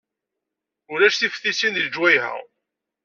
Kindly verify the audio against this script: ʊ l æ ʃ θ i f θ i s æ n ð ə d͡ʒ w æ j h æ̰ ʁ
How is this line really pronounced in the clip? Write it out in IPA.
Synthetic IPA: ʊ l æ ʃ θ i f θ i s i n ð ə d͡ʒ w æ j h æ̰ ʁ